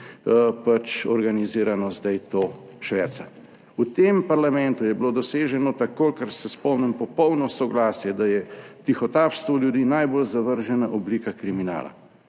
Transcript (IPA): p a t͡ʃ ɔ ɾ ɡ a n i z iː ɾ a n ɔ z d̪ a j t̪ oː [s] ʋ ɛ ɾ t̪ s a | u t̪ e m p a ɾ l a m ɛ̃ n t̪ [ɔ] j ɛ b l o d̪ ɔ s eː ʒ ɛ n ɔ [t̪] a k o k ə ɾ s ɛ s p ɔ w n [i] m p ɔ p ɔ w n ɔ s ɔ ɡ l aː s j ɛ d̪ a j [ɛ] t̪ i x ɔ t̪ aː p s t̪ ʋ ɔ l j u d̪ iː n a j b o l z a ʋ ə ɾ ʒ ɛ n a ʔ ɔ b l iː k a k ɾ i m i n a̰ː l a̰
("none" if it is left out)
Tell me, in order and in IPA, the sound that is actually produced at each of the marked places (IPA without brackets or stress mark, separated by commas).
ʃ, u, t̪, ɛ, ɛ